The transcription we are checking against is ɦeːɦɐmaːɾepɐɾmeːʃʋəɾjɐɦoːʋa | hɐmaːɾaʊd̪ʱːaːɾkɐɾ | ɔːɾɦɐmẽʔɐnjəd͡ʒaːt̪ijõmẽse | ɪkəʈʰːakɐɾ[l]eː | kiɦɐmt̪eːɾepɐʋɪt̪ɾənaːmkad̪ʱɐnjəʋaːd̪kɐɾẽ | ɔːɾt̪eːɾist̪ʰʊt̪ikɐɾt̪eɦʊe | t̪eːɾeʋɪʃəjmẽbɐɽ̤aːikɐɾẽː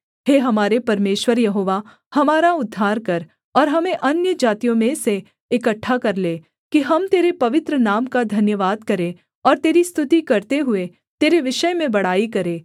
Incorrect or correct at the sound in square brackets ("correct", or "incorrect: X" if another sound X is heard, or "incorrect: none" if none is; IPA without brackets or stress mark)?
correct